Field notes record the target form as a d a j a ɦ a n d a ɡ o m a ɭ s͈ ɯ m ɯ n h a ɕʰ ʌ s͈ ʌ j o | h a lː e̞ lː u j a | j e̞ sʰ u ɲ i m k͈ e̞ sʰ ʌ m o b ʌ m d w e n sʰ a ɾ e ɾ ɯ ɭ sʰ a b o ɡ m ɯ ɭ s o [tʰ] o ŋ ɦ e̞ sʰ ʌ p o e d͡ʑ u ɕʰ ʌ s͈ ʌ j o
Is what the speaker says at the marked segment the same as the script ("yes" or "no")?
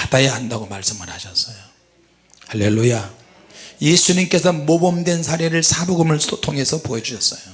yes